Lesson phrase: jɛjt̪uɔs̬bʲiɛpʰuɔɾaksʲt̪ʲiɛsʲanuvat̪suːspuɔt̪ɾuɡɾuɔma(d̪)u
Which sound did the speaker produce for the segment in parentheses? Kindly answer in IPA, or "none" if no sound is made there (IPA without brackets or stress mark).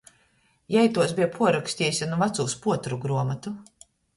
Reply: t̪